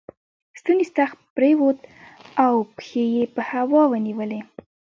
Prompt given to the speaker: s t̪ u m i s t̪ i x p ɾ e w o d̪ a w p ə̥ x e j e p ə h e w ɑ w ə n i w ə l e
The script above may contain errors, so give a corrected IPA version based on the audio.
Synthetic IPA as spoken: s t̪ u n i s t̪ a x p ɾ e w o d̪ a w p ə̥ x e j e p ə h a w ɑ w ə n i w ə l e